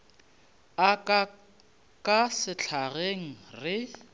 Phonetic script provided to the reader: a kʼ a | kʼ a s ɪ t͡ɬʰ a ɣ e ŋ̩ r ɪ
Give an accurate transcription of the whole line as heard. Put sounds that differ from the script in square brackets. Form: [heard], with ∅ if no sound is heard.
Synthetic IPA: a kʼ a | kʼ a s ɪ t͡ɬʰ a ɣ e ŋ̩ r ɪ